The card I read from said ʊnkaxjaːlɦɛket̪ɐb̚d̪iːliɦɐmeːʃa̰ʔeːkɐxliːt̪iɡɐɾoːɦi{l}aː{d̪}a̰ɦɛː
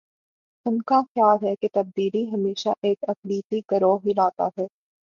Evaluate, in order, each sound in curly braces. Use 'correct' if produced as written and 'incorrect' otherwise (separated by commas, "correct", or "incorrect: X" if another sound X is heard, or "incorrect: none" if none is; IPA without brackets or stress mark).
correct, incorrect: t̪